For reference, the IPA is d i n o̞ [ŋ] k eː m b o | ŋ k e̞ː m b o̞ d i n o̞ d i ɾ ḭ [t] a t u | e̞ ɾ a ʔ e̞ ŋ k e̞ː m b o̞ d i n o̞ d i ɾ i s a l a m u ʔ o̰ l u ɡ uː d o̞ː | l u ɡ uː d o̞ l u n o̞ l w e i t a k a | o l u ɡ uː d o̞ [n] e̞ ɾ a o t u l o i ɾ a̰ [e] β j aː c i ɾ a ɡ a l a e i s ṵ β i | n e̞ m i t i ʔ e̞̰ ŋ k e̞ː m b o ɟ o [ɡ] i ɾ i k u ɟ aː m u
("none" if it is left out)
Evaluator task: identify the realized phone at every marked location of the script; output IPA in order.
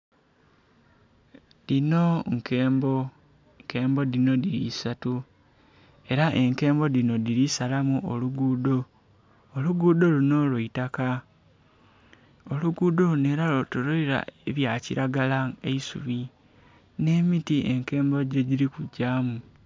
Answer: ŋ, s, n, e, ɟ

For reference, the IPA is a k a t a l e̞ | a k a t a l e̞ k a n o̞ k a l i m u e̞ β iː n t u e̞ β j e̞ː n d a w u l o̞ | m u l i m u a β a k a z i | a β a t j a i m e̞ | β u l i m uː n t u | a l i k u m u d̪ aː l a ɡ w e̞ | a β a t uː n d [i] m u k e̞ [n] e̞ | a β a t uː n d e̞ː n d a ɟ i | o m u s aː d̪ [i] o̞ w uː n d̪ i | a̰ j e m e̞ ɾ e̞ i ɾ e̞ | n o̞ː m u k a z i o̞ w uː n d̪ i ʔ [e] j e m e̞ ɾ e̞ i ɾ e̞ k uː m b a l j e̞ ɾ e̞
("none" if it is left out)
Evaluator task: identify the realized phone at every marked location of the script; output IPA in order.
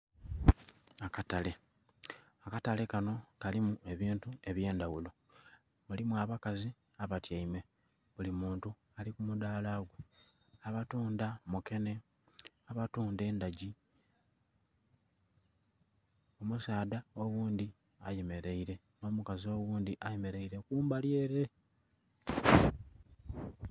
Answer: a, n, a, a

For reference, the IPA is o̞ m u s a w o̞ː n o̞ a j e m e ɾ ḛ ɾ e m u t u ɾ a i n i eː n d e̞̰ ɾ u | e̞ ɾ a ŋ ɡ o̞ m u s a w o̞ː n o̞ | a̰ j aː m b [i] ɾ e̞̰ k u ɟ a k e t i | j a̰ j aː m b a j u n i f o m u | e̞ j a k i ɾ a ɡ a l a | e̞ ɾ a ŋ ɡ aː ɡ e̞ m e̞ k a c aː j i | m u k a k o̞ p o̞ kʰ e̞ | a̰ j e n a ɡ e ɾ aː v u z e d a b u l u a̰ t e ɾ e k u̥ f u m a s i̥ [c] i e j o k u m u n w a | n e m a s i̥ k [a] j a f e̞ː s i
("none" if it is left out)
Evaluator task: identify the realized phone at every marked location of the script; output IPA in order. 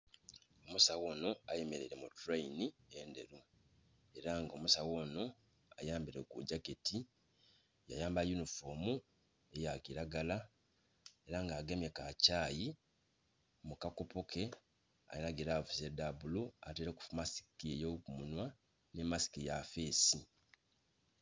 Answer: i, k, i

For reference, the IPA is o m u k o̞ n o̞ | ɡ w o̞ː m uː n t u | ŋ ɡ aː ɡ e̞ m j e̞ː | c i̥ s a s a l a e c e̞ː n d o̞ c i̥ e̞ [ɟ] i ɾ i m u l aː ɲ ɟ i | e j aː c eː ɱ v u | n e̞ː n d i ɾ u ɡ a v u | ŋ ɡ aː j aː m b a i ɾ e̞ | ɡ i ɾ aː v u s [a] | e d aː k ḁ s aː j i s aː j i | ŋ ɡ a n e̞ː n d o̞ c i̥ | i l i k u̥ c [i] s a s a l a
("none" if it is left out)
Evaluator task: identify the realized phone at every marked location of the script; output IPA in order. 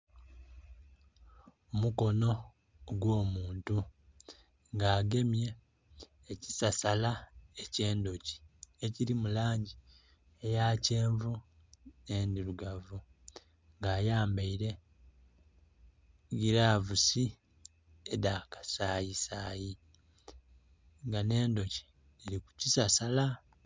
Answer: c, i, i

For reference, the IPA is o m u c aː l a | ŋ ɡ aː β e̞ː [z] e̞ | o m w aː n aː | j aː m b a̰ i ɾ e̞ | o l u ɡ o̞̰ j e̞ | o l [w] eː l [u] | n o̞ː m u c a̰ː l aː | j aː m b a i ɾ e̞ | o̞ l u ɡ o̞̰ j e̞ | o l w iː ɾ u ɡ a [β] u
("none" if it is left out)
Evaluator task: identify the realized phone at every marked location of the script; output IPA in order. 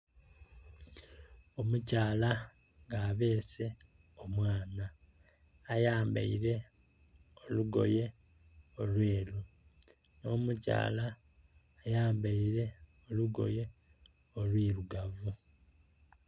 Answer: s, w, u, v

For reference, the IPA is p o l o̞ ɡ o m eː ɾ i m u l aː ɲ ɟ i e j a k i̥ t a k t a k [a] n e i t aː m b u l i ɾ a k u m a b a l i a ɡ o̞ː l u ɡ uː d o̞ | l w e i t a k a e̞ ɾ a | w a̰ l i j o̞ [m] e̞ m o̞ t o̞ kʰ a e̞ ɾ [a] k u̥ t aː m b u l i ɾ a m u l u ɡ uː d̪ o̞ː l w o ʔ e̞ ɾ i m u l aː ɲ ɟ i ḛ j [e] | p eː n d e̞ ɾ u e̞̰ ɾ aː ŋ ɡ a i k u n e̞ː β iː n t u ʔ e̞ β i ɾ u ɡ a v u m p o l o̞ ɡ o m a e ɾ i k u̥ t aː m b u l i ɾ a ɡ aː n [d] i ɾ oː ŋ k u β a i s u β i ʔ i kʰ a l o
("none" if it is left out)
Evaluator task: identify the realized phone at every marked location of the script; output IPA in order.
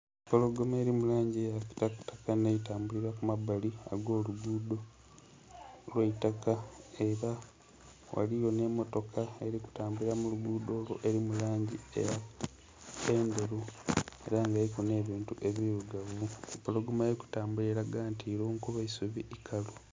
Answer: a, n, i, a, t

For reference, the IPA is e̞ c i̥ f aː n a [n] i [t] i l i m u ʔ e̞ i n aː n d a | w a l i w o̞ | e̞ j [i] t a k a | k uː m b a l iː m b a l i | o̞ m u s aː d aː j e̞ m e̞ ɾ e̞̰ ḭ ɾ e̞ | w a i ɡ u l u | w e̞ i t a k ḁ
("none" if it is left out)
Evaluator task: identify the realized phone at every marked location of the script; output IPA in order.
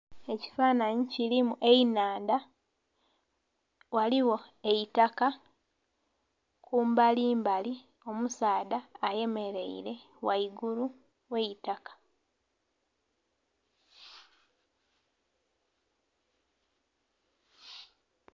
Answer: ɲ, c, i

